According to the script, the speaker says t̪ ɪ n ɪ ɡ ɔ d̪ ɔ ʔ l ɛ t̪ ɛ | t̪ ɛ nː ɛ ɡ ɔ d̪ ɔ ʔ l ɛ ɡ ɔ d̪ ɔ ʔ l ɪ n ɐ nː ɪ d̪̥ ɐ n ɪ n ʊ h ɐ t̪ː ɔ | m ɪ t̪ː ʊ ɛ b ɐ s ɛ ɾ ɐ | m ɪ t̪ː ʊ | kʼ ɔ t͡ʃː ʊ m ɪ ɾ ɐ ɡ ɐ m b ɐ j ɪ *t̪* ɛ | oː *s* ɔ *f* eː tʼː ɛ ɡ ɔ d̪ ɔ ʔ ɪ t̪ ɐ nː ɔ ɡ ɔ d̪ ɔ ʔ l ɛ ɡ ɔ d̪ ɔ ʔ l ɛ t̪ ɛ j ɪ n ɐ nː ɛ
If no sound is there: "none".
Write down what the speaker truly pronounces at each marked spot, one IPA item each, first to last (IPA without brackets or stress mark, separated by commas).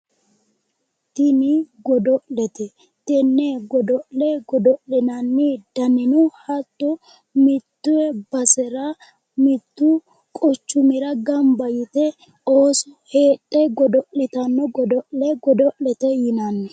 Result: t̪, s, h